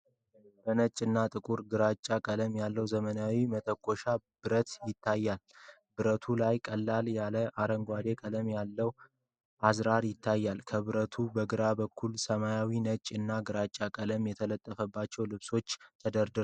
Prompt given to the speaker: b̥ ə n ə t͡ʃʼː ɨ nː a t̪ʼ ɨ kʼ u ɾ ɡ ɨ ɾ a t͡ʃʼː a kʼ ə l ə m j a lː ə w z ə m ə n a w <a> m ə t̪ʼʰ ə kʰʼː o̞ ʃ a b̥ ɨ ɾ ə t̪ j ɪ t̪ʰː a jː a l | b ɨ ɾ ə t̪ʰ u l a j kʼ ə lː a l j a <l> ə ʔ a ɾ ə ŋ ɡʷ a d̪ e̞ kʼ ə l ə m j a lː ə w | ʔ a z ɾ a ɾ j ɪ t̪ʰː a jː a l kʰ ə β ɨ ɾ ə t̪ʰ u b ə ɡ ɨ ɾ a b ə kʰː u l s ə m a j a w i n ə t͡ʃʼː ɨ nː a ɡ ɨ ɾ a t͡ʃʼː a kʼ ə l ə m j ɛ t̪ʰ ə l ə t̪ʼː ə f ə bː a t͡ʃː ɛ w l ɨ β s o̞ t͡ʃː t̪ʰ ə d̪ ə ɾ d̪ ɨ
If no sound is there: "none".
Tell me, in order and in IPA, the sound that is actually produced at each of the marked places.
i, l

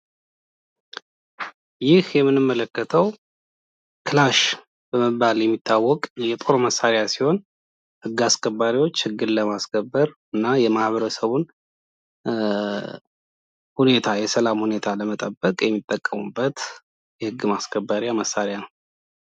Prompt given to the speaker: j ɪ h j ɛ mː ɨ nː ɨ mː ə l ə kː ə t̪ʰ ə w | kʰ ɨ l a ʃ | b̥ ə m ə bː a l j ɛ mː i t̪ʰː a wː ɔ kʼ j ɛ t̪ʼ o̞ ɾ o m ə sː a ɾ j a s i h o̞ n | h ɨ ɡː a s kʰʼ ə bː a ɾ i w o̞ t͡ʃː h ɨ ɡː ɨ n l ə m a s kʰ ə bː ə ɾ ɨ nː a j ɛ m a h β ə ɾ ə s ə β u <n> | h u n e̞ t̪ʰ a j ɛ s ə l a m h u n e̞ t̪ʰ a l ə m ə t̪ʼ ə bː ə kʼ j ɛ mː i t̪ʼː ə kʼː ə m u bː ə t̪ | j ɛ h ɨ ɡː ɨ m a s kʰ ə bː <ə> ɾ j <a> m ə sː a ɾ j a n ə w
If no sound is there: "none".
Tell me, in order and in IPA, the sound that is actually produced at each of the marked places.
n, a, a

